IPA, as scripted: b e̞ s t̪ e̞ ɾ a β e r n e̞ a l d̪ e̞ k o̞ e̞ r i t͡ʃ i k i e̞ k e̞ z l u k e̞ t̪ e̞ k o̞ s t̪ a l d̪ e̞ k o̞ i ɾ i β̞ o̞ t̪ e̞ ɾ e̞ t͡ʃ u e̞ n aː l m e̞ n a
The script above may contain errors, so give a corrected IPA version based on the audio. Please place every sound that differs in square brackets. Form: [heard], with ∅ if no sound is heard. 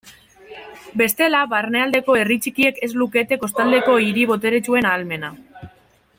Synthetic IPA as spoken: b e̞ s t̪ e̞ [l] a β [a] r n e̞ a l d̪ e̞ k o̞ e̞ r i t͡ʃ i k i e̞ k e̞ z l u k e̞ t̪ e̞ k o̞ s t̪ a l d̪ e̞ k o̞ i ɾ i β̞ o̞ t̪ e̞ ɾ e̞ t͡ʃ u e̞ n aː l m e̞ n a

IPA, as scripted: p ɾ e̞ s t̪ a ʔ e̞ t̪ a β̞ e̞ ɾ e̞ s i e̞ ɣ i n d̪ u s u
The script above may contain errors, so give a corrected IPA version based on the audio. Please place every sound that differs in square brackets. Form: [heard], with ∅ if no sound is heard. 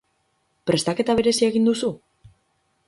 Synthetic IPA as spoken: p ɾ e̞ s t̪ a [k] e̞ t̪ a β̞ e̞ ɾ e̞ s i e̞ ɣ i n d̪ u s u

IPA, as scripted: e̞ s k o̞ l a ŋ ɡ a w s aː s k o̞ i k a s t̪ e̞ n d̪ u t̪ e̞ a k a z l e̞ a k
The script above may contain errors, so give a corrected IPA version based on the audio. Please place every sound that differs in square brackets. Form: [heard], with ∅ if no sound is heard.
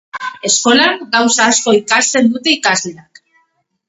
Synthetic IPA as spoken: e̞ s k o̞ l a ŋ ɡ a w s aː s k o̞ i k a s t̪ e̞ n d̪ u t̪ e̞ [i] k a z l e̞ a k

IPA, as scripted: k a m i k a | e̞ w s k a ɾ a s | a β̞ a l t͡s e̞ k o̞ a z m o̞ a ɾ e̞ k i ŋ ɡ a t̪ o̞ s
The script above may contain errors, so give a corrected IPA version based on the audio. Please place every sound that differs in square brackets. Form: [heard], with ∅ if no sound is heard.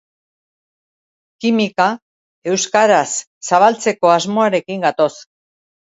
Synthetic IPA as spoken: k [i] m i k a | e̞ w s k a ɾ a [sː] | a β̞ a l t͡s e̞ k o̞ a z m o̞ a ɾ e̞ k i ŋ ɡ a t̪ o̞ s

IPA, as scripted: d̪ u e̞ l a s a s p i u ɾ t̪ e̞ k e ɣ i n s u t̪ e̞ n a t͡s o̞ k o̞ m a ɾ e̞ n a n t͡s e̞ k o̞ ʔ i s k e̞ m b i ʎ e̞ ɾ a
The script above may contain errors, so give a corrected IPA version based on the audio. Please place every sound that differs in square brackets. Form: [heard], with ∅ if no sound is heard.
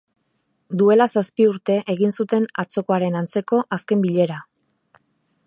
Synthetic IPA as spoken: d̪ u e̞ l a s a s p i u ɾ t̪ e̞ [ʔ] e ɣ i n s u t̪ e̞ n a t͡s o̞ k o̞ [∅] a ɾ e̞ n a n t͡s e̞ k o̞ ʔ [a] s k e̞ m b i ʎ e̞ ɾ a

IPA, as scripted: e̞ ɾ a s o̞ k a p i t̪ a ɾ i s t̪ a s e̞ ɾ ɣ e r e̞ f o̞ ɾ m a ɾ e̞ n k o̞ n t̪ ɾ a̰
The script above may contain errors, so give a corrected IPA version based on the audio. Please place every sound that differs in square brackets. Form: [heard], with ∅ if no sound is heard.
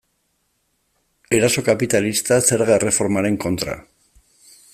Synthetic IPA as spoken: e̞ ɾ a s o̞ k a p i t̪ a [l] i s t̪ a s e̞ ɾ ɣ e r e̞ f o̞ ɾ m a ɾ e̞ [ŋ] k o̞ n t̪ ɾ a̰

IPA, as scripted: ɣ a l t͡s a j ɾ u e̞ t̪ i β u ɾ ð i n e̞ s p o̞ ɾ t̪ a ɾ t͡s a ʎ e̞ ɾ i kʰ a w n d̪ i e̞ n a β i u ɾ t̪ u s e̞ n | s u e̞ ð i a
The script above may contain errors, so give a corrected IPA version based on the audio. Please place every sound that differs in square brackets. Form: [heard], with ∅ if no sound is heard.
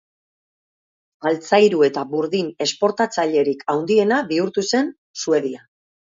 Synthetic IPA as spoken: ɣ a l t͡s a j ɾ u e̞ t̪ [a] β u ɾ ð i n e̞ s p o̞ ɾ t̪ a [∅] t͡s a ʎ e̞ ɾ i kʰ a w n d̪ i e̞ n a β i u ɾ t̪ u s e̞ n | s u e̞ ð i a

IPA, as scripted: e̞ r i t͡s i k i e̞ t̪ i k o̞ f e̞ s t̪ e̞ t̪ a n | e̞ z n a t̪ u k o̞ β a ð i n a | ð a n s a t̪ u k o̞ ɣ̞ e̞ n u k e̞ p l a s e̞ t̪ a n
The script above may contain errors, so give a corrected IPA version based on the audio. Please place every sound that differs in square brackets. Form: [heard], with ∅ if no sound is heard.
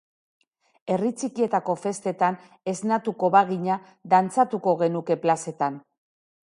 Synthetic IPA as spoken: e̞ r i t͡s i k i e̞ t̪ [a] k o̞ f e̞ s t̪ e̞ t̪ a n | e̞ z n a t̪ u k o̞ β a [ɣ] i [ɲ] a | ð a n [t͡s] a t̪ u k o̞ ɣ̞ e̞ n u k e̞ p l a s e̞ t̪ a n

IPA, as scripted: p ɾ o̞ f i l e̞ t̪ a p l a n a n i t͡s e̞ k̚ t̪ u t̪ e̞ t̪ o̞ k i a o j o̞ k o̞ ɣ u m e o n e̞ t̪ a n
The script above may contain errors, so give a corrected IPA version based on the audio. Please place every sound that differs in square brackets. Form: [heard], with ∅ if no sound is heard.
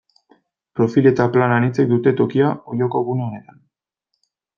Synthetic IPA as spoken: p ɾ o̞ f i l e̞ t̪ a p l a n a n i t͡s e̞ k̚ [d̪] u t̪ e̞ t̪ o̞ k i a o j o̞ k o̞ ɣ u [n] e o n e̞ t̪ a n

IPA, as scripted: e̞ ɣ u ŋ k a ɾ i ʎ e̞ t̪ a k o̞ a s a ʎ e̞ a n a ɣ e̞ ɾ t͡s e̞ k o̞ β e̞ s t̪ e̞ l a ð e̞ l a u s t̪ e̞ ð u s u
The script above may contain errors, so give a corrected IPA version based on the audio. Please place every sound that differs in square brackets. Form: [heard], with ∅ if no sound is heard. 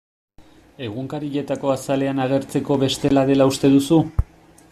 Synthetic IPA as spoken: e̞ ɣ u ŋ k a ɾ i ʎ e̞ t̪ a k o̞ a s a [l] e̞ a n a ɣ e̞ ɾ t͡s e̞ k o̞ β e̞ s t̪ e̞ l a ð e̞ l a u s t̪ e̞ ð u s u

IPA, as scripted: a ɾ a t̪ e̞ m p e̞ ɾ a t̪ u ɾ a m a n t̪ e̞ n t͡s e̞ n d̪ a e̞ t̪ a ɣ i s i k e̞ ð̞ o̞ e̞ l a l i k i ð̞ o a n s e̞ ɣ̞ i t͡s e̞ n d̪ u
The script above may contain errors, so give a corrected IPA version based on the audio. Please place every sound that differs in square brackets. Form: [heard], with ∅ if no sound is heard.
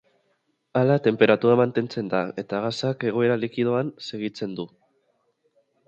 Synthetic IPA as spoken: a [l] a t̪ e̞ m p e̞ ɾ a t̪ u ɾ a m a n t̪ e̞ n t͡s e̞ n d̪ a e̞ t̪ a ɣ [a] s [a] k e̞ [ɣ̞] o̞ e̞ [ɾ] a l i k i ð̞ o a n s e̞ ɣ̞ i t͡s e̞ n d̪ u

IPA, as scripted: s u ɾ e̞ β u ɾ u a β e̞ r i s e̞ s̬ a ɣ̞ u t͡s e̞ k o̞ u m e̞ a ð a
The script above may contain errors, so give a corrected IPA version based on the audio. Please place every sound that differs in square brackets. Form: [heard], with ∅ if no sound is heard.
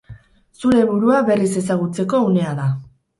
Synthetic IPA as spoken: s u ɾ e̞ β u ɾ u a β e̞ r i s e̞ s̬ a ɣ̞ u t͡s e̞ k o̞ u [n] e̞ a ð a

